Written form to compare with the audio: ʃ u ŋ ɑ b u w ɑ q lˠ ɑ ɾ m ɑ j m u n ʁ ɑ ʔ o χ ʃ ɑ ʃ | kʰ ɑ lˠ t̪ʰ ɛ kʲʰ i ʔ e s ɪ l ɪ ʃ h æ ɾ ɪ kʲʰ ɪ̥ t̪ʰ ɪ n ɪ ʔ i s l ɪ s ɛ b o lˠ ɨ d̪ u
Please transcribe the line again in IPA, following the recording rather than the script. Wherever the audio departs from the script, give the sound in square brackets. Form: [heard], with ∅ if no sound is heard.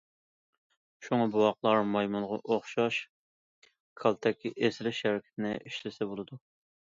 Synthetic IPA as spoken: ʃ u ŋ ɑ b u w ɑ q lˠ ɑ ɾ m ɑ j m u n ʁ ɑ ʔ o χ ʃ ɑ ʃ | kʰ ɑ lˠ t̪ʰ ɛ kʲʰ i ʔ e s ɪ l ɪ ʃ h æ ɾ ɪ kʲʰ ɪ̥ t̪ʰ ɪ n ɪ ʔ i [ʃ] l ɪ s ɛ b o lˠ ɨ d̪ u

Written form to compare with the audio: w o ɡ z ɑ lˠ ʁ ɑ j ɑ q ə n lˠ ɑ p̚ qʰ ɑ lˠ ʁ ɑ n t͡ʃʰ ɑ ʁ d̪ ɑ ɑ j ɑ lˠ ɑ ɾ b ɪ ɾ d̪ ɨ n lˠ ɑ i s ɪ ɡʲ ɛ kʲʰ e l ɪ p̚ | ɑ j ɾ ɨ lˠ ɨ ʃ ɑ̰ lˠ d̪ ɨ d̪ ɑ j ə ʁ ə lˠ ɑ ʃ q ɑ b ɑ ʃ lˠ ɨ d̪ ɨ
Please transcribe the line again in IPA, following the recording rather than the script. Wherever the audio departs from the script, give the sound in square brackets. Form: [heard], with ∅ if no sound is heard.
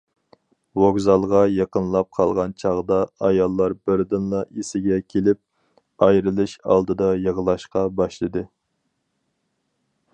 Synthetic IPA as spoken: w o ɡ z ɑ lˠ ʁ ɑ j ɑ q ə n lˠ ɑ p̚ qʰ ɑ lˠ ʁ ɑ n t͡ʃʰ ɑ ʁ d̪ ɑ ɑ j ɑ [lˠː] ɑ ɾ b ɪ ɾ d̪ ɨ n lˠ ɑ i s ɪ ɡʲ ɛ kʲʰ e l ɪ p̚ | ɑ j ɾ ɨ lˠ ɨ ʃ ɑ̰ lˠ d̪ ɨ d̪ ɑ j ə ʁ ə lˠ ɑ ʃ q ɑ b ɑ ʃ lˠ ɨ d̪ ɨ

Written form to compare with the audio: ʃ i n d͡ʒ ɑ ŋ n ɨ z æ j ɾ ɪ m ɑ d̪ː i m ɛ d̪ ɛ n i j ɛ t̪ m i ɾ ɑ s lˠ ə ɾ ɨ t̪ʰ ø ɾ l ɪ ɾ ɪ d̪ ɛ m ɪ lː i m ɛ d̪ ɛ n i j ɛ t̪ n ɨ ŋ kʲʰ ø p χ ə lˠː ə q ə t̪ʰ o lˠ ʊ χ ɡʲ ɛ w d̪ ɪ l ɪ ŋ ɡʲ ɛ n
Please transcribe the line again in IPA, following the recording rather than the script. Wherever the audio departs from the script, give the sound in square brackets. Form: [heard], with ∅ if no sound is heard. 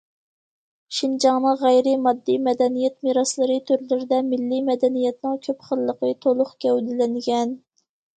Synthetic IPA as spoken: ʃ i n d͡ʒ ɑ ŋ n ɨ [ʁ] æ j ɾ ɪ m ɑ d̪ː i m ɛ d̪ ɛ n i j ɛ t̪ m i ɾ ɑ s lˠ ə ɾ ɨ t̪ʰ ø ɾ l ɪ ɾ ɪ d̪ ɛ m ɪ lː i m ɛ d̪ ɛ n i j ɛ t̪ n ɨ ŋ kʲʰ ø p χ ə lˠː ə q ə t̪ʰ o lˠ ʊ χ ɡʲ ɛ w d̪ ɪ l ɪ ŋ ɡʲ ɛ n

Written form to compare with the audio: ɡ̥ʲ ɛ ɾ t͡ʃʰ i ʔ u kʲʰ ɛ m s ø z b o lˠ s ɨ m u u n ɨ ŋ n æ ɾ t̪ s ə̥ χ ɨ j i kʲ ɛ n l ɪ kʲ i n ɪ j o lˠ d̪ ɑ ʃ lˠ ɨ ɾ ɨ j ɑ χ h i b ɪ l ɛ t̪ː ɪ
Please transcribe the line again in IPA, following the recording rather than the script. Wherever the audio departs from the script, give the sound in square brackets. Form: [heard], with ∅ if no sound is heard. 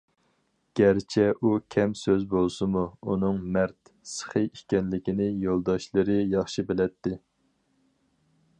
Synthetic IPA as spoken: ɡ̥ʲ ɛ ɾ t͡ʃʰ [ɛ] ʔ u kʲʰ ɛ m s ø z b o lˠ s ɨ m u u n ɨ ŋ [m] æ ɾ t̪ s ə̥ χ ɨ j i kʲ ɛ n l ɪ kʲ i n ɪ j o lˠ d̪ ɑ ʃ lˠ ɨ ɾ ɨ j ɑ χ [ʃ] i b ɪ l ɛ t̪ː ɪ

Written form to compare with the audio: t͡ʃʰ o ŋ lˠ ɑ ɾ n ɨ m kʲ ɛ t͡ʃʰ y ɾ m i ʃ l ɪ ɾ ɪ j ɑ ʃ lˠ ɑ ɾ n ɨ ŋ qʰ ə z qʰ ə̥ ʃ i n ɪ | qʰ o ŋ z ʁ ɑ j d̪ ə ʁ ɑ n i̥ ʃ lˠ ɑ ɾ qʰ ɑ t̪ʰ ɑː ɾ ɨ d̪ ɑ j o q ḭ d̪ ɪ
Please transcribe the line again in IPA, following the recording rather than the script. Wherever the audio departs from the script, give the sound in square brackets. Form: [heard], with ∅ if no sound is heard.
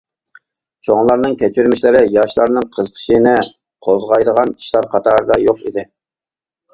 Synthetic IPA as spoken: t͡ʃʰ o ŋ lˠ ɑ ɾ n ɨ [ŋ] kʲ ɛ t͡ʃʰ y ɾ m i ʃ l ɪ ɾ ɪ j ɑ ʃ lˠ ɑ ɾ n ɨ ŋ qʰ ə z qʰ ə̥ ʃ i n ɪ | qʰ o [∅] z ʁ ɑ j d̪ ə ʁ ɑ n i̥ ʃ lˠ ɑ ɾ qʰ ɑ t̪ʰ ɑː ɾ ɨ d̪ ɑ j o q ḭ d̪ ɪ

